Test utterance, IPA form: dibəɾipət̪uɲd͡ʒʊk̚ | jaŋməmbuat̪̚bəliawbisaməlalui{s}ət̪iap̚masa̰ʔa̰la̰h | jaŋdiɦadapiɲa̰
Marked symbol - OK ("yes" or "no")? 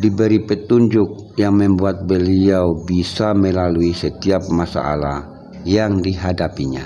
yes